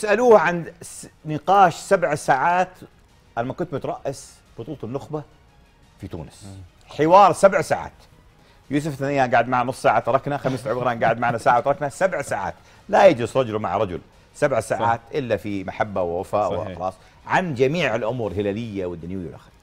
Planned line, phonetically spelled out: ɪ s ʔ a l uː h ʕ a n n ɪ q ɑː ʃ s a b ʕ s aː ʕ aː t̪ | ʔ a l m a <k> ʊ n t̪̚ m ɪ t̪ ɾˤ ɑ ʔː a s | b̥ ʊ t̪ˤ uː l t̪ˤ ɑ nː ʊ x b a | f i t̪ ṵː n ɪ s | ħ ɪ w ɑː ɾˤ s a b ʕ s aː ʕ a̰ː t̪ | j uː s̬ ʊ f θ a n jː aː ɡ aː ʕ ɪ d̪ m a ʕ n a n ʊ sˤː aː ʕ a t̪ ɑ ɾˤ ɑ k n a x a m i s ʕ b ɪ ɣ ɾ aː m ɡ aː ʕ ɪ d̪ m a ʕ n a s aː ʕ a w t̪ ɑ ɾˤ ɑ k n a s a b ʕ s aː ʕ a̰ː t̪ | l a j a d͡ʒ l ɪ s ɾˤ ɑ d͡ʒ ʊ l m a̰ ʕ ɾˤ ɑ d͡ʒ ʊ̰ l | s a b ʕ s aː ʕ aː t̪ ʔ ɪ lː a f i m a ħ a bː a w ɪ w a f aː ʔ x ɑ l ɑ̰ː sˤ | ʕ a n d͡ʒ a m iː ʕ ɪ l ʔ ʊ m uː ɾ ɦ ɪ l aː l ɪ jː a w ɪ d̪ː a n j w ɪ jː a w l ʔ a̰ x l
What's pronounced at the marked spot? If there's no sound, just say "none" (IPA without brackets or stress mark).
k